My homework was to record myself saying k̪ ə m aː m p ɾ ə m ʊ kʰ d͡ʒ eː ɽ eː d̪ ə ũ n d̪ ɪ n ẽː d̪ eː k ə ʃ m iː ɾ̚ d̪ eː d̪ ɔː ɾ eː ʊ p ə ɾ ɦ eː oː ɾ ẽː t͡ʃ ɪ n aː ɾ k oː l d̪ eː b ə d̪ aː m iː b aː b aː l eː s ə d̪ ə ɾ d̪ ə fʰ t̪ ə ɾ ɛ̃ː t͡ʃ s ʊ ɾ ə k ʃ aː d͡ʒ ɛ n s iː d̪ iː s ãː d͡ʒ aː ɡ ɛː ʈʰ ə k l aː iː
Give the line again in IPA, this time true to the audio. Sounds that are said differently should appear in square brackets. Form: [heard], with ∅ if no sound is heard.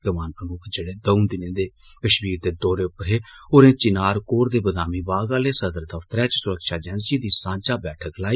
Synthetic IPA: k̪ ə m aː [n] p ɾ ə m ʊ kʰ d͡ʒ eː ɽ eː d̪ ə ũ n d̪ ɪ n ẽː d̪ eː k ə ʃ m iː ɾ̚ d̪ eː d̪ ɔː ɾ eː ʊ p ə ɾ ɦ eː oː ɾ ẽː t͡ʃ ɪ n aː ɾ k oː [ɾ] d̪ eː b ə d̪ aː m iː b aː [ɡ] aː l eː s ə d̪ ə ɾ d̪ ə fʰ t̪ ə ɾ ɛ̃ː t͡ʃ s ʊ ɾ ə k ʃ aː d͡ʒ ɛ n s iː d̪ iː s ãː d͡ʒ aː [b] ɛː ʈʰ ə k l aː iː